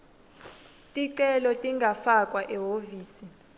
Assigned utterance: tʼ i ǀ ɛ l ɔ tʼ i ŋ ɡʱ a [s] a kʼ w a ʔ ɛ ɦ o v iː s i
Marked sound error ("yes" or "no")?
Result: yes